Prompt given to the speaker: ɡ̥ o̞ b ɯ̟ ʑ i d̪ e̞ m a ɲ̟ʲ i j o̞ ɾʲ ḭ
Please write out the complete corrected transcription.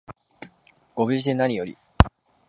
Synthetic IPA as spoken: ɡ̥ o̞ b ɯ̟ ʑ i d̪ e̞ n a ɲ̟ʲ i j o̞ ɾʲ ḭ